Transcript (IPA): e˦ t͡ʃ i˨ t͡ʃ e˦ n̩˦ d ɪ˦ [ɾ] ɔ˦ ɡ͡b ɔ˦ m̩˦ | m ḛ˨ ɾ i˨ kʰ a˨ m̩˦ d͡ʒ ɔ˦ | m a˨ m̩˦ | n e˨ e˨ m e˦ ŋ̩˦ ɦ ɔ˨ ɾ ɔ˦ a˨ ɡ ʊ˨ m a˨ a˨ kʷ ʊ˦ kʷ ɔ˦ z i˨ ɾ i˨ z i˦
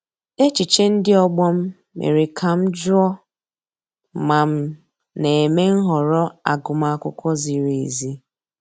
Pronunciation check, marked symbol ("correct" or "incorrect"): incorrect